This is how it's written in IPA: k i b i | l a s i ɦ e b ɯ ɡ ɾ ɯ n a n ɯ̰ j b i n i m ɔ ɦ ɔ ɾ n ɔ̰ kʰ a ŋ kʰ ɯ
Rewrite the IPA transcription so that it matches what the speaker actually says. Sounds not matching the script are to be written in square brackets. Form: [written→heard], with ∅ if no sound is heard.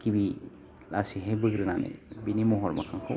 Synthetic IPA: k i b i | l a s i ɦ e b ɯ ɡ ɾ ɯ n a n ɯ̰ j b i n i m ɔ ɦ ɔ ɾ [n→m] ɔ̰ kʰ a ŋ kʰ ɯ